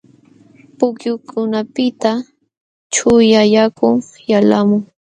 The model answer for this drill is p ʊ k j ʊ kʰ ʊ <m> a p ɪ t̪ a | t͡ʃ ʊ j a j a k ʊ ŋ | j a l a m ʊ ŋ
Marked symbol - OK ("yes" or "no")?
no